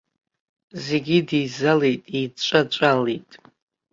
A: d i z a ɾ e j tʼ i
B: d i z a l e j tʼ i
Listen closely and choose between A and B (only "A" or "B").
B